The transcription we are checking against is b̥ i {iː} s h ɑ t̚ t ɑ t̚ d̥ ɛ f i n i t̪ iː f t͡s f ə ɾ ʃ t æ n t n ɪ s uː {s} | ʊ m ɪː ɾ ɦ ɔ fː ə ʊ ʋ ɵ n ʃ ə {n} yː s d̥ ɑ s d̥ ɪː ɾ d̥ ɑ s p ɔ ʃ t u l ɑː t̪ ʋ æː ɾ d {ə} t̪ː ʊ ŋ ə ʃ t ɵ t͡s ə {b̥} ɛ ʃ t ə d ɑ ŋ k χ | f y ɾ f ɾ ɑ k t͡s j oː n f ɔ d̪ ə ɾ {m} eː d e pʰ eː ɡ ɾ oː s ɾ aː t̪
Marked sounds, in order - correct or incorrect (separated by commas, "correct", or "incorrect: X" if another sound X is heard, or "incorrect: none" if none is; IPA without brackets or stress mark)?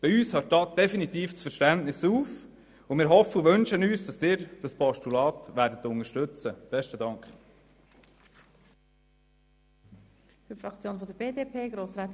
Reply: incorrect: yː, incorrect: f, correct, correct, correct, incorrect: b